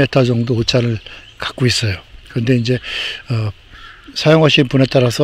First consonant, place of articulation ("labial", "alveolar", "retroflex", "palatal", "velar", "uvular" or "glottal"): alveolar